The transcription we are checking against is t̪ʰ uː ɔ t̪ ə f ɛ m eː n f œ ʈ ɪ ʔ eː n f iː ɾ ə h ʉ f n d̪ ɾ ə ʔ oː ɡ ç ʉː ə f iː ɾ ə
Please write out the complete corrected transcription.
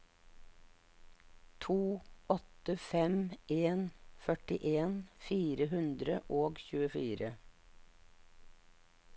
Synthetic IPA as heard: t̪ʰ uː ɔ t̪ ə f ɛ m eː n f œ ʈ ɪ ʔ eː n f iː ɾ ə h ʉ n d̪ ɾ ə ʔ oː ɡ ç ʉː ə f iː ɾ ə